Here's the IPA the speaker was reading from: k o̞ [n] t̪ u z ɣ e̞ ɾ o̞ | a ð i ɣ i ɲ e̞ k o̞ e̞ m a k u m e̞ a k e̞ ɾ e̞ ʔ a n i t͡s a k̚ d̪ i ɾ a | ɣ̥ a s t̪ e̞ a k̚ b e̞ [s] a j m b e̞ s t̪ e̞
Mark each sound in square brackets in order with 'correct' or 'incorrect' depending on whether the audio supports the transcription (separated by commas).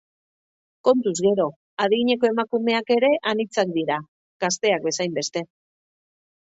correct, correct